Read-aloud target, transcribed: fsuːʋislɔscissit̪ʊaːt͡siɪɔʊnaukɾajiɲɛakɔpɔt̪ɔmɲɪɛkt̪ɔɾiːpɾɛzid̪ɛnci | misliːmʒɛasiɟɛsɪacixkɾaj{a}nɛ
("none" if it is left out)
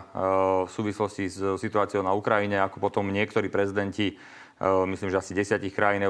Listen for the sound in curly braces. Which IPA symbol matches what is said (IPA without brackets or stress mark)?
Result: i